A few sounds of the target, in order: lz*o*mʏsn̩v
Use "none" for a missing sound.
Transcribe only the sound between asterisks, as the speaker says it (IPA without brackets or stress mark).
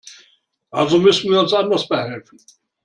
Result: o